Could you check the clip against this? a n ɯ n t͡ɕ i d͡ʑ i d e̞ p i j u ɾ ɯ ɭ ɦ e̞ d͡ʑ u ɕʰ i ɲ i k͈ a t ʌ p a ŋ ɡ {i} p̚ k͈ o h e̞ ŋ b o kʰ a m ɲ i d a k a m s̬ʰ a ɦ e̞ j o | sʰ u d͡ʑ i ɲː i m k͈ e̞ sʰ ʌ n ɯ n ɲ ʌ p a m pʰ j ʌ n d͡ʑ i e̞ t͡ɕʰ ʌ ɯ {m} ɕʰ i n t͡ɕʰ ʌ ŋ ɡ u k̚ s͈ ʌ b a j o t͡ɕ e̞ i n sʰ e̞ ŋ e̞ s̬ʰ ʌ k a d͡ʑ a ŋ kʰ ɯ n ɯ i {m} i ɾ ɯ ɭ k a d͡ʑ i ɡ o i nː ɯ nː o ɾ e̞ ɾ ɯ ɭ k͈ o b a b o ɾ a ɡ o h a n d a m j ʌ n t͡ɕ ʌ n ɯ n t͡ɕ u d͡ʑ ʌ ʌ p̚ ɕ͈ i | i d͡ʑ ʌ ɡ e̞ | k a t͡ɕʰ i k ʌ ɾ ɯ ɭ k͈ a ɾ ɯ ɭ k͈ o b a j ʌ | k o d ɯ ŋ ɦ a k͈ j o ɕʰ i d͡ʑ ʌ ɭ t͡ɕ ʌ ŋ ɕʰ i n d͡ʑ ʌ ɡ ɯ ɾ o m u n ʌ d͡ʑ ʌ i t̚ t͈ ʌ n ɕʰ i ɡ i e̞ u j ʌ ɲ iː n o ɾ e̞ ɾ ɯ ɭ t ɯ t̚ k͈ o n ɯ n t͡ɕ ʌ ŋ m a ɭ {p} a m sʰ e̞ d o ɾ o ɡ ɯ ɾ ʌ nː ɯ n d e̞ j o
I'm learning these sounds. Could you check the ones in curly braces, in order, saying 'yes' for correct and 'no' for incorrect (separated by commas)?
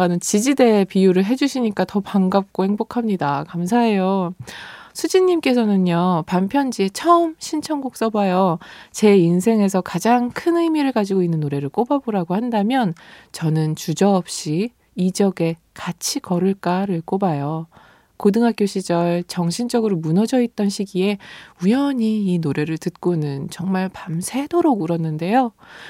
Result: no, yes, yes, yes